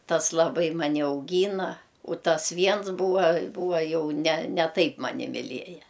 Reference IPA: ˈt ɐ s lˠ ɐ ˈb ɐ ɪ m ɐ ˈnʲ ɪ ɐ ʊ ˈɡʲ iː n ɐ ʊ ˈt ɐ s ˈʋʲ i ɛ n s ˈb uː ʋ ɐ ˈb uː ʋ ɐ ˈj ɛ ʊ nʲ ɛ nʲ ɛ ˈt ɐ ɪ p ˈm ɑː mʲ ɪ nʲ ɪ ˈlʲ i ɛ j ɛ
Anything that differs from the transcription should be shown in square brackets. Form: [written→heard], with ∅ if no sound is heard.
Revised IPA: ˈt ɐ s lˠ ɐ ˈb ɐ ɪ m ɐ ˈnʲ ɪ ɐ ʊ ˈɡʲ iː n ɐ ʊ ˈt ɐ s ˈʋʲ i ɛ n s ˈb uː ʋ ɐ ˈb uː ʋ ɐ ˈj ɛ ʊ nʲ ɛ nʲ ɛ ˈt ɐ ɪ p ˈm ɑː [mʲ→nʲ] ɪ [nʲ→mʲ] ɪ ˈlʲ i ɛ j ɛ